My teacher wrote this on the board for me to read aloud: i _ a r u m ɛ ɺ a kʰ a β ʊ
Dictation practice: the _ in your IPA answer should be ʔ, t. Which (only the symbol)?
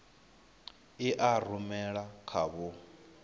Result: ʔ